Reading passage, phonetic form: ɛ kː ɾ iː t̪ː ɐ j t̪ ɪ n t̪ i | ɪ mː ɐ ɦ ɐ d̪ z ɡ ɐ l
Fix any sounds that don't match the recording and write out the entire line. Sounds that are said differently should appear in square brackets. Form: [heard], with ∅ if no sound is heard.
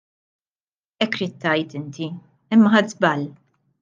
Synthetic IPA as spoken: ɛ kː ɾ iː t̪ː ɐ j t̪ ɪ n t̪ i | ɪ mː ɐ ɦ ɐ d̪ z [b] ɐ l